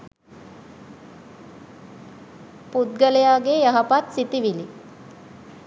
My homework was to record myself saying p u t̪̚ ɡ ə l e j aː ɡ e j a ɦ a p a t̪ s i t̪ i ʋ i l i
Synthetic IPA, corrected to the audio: p u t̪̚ ɡ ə l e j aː ɡ e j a ɦ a p a t̪ s i t̪ i ʋ i l i